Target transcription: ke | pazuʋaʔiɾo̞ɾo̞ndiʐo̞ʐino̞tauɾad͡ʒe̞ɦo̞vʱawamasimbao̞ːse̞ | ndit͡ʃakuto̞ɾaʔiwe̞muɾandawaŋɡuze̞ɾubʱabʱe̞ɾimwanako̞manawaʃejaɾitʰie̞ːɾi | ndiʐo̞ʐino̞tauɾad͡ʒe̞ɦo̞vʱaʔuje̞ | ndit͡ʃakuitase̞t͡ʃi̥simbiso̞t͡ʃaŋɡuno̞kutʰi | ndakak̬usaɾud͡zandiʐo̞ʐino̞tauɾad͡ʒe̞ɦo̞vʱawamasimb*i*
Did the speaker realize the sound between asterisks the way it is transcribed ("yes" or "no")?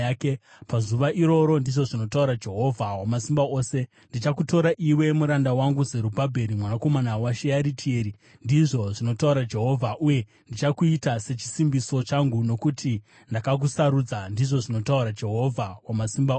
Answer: no